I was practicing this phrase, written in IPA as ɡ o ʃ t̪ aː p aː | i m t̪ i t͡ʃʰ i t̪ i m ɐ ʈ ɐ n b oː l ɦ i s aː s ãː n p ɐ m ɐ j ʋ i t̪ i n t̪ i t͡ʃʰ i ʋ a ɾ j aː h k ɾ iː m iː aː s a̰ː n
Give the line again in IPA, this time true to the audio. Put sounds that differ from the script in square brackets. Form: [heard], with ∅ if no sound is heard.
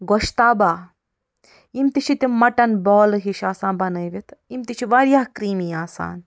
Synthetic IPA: ɡ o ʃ t̪ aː [b] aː | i m t̪ i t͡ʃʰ i t̪ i m ɐ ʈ ɐ n b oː l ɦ i [ʃ] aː s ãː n [b] ɐ [n] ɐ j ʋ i t̪ i [m] t̪ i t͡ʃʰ i ʋ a ɾ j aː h k ɾ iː m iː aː s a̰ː n